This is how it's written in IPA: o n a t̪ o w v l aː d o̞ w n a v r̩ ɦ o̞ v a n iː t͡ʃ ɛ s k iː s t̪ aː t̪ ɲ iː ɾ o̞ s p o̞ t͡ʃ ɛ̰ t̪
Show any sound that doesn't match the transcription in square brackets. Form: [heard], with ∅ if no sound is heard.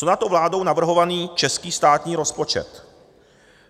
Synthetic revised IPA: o n a t̪ o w v l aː d o̞ w n a v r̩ ɦ o̞ v a n iː t͡ʃ ɛ s k iː s t̪ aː t̪ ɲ iː ɾ o̞ s p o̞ t͡ʃ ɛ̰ t̪